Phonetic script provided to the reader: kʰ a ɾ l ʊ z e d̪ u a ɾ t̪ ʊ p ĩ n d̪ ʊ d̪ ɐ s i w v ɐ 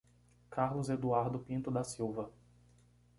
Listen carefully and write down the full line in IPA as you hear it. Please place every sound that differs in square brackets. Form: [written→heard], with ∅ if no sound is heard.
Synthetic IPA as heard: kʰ a ɾ l ʊ z e d̪ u a ɾ [t̪→d̪] ʊ p ĩ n [d̪→t̪] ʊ d̪ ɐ s i w v ɐ